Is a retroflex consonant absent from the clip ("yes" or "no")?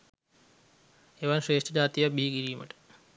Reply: no